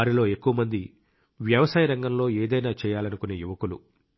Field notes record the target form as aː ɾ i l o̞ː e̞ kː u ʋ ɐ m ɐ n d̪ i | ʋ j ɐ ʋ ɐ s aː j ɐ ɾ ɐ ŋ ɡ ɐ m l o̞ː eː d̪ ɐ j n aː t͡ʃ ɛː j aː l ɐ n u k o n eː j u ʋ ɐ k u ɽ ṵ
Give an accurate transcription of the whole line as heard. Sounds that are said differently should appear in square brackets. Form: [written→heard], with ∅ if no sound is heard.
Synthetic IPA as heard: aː ɾ i l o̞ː e̞ kː u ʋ ɐ m ɐ n d̪ i | ʋ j ɐ ʋ ɐ s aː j ɐ ɾ ɐ ŋ ɡ ɐ m l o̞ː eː d̪ ɐ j n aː t͡ʃ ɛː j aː l ɐ n u k [o→u] n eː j u ʋ ɐ k u [ɽ→l] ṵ